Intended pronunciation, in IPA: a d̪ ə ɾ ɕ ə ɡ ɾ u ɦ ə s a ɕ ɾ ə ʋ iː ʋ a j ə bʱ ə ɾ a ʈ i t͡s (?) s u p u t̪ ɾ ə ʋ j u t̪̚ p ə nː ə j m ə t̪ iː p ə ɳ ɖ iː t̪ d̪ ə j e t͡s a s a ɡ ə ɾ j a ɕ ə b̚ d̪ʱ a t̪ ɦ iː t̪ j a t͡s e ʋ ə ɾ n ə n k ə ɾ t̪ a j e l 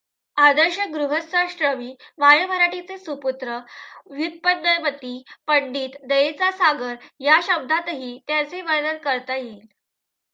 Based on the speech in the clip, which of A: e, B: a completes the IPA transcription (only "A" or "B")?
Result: A